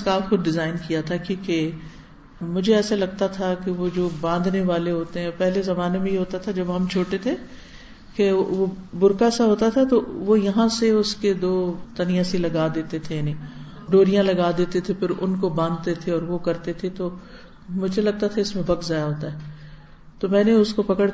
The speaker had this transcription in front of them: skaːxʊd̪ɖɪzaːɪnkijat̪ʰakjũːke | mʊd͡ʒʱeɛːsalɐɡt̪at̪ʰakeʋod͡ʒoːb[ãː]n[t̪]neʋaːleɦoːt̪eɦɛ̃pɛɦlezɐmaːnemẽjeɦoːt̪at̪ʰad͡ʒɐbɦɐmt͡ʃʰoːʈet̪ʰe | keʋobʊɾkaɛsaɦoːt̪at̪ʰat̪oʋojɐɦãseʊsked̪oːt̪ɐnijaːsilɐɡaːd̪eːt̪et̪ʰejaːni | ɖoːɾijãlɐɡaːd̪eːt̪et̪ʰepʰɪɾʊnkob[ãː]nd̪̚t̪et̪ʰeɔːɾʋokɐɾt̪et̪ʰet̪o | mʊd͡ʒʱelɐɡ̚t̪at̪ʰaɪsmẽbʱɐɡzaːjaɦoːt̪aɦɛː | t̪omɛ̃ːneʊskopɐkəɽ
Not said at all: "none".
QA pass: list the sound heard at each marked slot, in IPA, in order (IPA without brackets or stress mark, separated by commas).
ãː, d̪, ãː